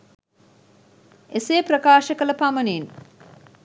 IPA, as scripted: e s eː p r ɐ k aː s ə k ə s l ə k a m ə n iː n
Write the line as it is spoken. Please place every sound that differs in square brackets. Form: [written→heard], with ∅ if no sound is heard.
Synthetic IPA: e s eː p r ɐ k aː [s→ʃ] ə k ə [s→∅] l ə [k→p] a m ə n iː n